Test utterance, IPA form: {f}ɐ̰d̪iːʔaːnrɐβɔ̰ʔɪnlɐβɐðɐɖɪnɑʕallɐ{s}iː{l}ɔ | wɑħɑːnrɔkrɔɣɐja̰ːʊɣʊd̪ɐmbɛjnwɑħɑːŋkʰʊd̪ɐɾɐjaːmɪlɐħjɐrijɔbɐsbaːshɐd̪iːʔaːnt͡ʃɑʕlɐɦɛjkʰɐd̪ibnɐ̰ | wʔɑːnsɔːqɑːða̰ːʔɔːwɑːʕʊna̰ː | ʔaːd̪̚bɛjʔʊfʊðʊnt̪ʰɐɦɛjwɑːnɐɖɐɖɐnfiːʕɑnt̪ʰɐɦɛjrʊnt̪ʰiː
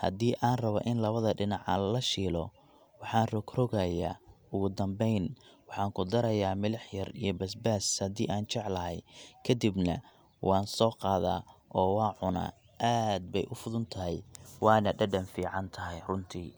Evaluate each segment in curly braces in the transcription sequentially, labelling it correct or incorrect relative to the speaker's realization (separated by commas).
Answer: incorrect, incorrect, correct